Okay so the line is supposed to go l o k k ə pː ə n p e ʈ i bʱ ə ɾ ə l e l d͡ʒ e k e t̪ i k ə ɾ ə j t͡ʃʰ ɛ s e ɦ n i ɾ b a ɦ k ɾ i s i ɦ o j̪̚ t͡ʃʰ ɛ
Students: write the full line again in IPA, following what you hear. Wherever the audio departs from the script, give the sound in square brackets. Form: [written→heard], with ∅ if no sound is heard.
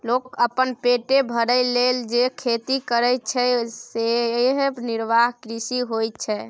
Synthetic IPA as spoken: l o k k ə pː ə n p e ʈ [i→e] bʱ ə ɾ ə l e l d͡ʒ e [k→kʰ] e t̪ i k ə ɾ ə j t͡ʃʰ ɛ s e ɦ n i ɾ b a ɦ k ɾ i s i ɦ o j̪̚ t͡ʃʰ ɛ